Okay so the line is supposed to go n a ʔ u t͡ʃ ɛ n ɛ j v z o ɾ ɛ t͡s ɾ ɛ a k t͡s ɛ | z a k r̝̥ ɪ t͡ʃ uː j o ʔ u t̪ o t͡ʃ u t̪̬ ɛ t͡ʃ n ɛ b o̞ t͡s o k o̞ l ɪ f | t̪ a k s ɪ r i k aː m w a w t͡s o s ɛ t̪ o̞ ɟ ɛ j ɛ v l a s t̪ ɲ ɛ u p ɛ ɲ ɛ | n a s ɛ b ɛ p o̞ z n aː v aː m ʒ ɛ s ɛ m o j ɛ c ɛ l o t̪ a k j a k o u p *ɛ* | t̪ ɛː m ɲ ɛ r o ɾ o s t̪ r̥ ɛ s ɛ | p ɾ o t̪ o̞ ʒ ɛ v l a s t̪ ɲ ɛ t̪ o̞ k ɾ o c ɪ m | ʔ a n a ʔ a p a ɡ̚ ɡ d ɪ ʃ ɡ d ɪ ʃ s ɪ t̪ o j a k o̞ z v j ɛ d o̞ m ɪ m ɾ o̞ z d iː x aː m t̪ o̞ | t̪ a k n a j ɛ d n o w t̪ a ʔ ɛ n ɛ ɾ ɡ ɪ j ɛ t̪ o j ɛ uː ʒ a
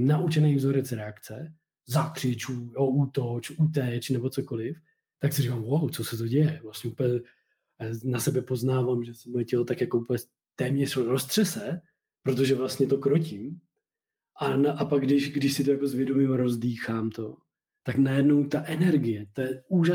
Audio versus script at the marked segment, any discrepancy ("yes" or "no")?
no